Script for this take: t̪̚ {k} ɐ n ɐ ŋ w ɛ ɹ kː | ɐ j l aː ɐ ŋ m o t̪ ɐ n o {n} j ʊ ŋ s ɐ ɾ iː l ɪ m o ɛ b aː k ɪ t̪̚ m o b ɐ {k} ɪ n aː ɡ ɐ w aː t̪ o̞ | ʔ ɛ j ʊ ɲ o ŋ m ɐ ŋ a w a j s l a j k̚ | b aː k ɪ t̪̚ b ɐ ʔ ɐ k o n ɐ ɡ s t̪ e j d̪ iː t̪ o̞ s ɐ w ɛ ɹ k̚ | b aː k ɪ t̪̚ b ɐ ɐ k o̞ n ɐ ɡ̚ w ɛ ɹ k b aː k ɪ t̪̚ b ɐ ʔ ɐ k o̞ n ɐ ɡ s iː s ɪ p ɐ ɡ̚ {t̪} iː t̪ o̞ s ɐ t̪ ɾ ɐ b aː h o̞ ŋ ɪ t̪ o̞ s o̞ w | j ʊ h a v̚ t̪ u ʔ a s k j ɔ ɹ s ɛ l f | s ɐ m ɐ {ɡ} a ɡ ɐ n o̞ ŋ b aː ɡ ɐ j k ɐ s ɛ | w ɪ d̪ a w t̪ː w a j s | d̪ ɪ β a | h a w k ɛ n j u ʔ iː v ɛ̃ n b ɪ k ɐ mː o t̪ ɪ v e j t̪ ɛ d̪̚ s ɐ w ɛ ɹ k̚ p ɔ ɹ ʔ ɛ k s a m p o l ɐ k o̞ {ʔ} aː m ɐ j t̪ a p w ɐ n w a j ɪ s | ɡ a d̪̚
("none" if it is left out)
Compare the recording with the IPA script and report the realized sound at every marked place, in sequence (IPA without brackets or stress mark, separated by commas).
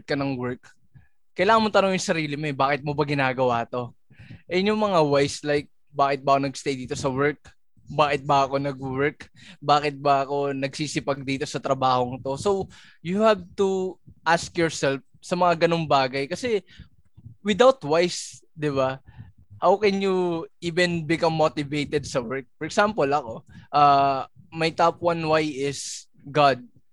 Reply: k, ŋ, ɡ, d̪, ŋ, ʔ